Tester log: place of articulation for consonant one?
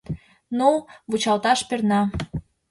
alveolar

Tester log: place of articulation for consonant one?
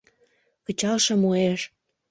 velar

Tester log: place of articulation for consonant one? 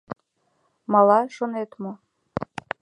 labial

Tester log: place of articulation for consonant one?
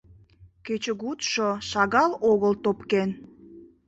velar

